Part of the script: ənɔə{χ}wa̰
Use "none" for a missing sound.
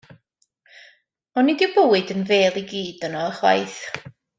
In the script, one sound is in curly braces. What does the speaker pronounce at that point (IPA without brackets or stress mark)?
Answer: χ